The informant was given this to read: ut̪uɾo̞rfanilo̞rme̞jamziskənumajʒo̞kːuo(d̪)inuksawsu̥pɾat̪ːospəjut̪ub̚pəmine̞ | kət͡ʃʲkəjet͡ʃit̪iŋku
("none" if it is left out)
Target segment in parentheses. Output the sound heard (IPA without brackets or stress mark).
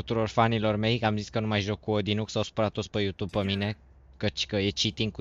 d̪